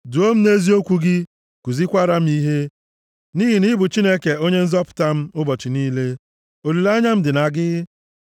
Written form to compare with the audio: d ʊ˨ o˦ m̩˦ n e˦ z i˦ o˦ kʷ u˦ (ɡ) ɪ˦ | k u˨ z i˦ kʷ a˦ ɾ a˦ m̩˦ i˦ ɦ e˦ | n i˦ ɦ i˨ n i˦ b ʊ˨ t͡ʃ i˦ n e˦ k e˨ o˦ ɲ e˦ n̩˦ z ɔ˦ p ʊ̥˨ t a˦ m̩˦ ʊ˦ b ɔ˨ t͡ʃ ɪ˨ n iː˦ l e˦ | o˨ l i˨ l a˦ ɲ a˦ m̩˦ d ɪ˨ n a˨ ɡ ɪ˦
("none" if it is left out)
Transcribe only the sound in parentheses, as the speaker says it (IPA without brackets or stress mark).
ɡ